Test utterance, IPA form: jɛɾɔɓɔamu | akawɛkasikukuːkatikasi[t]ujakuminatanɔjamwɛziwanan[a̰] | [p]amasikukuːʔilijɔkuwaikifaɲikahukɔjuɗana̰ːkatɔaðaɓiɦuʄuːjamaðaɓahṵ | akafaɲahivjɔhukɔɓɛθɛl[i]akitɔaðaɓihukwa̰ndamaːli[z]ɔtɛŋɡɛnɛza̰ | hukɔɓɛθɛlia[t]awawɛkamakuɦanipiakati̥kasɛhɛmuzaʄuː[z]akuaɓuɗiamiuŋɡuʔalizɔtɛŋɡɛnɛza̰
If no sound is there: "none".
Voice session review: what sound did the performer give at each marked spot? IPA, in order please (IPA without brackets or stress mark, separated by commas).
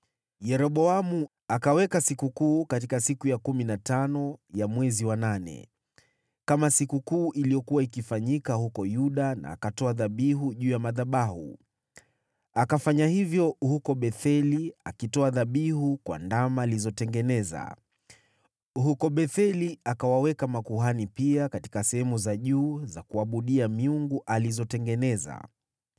k, ɛ̰, k, i, z, k, z